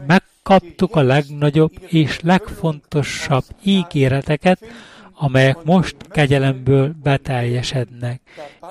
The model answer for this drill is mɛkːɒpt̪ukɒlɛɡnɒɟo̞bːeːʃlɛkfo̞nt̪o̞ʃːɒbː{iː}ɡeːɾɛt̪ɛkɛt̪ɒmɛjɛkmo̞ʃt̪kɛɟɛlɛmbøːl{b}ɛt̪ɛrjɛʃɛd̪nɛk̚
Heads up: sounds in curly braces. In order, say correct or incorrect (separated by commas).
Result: correct, correct